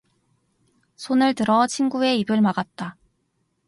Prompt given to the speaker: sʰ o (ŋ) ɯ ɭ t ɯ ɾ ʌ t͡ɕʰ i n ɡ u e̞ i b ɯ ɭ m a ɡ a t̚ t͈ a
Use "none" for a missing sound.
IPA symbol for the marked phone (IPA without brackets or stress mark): n